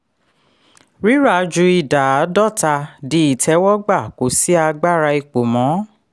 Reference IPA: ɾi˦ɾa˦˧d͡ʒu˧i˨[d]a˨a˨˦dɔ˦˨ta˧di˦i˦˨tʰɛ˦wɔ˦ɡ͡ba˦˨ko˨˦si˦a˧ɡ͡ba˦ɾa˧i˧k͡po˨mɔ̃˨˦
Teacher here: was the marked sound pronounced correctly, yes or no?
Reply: yes